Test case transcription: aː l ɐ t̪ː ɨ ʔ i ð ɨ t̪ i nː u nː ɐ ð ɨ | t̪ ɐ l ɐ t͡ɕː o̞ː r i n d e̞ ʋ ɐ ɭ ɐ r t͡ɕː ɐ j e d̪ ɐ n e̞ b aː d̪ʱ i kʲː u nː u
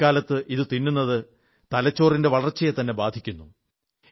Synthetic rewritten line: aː l ɐ t̪ː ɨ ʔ i ð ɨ t̪ i nː u nː ɐ ð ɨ | t̪ ɐ l ɐ t͡ɕː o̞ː r i n d e̞ ʋ ɐ ɭ ɐ r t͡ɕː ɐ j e t̪ ɐ nː e̞ b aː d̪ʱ i kʲː u nː u